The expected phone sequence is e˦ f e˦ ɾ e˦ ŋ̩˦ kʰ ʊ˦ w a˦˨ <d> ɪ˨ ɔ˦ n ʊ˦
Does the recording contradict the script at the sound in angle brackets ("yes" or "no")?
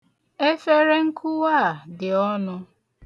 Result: no